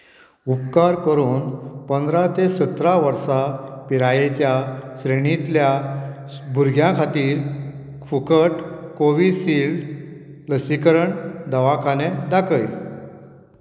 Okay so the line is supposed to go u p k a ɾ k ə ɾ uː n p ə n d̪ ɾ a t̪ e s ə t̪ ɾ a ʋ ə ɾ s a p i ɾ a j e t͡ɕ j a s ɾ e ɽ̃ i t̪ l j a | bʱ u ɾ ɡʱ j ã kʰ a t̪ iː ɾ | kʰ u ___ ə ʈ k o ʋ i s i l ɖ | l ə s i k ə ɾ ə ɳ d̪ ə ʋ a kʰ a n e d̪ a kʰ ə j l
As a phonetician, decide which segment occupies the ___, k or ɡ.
k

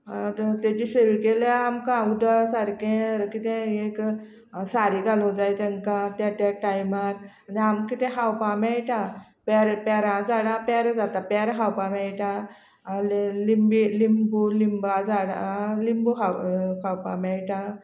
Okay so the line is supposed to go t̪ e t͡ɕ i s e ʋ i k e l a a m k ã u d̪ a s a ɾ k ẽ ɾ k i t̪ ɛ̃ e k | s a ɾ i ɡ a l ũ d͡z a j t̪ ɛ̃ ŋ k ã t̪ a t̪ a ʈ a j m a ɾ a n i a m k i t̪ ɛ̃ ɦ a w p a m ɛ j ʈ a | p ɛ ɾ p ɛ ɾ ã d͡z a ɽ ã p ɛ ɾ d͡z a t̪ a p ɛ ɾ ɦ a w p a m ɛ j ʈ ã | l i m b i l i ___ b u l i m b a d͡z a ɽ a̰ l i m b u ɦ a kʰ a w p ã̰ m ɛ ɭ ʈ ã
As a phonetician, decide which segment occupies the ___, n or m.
m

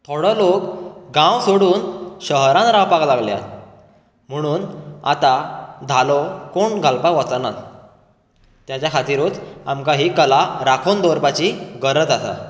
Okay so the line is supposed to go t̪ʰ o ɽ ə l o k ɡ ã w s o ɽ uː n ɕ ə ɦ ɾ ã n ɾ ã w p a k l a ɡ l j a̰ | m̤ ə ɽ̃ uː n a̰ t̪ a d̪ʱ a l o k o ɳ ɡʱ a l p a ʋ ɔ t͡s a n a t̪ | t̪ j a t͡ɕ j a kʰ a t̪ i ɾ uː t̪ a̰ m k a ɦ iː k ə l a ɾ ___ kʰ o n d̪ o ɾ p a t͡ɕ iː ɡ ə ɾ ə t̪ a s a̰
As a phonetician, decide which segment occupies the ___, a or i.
a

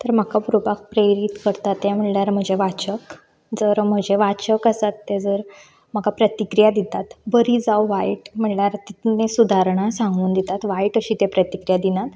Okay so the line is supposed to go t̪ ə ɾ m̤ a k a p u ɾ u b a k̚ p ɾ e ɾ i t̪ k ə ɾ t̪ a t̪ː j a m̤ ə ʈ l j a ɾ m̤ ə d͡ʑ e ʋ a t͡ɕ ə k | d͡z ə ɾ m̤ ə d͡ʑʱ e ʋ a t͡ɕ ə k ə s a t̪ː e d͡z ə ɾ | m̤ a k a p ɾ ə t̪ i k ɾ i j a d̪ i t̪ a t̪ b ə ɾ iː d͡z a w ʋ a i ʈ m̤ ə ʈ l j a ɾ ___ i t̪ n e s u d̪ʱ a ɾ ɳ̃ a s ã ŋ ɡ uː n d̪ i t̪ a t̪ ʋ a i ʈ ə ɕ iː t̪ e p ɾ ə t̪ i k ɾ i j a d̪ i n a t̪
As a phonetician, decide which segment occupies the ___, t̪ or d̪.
t̪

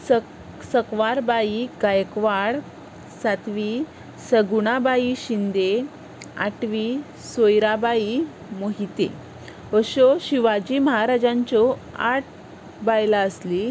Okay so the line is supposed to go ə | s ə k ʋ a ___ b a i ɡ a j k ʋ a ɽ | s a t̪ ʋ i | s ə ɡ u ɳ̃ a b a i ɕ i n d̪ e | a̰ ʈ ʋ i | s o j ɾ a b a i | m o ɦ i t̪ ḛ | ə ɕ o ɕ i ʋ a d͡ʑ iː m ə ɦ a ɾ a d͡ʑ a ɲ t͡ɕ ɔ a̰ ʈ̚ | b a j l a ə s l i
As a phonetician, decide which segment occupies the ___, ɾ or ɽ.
ɾ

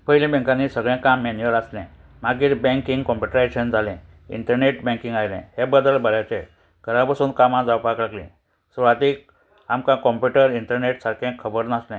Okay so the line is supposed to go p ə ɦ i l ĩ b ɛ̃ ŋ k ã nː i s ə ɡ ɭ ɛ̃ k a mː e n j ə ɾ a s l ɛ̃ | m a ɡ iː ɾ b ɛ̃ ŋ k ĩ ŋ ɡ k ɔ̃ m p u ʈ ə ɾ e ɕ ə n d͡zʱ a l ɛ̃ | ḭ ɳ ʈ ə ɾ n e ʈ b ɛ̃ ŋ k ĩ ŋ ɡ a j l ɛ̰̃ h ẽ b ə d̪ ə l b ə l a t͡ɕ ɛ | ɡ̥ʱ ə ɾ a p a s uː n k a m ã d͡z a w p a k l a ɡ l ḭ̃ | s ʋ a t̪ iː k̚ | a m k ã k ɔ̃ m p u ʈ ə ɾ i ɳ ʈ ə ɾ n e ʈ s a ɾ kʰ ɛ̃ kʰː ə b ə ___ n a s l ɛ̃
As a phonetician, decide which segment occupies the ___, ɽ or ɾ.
ɾ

